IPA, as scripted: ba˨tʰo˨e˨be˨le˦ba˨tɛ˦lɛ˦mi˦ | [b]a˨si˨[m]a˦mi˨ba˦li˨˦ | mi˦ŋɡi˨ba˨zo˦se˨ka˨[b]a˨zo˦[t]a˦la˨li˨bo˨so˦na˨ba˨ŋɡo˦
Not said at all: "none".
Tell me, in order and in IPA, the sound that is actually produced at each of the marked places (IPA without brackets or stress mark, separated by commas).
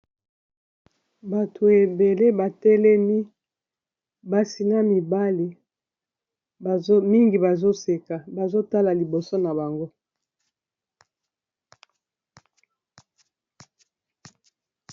b, n, b, t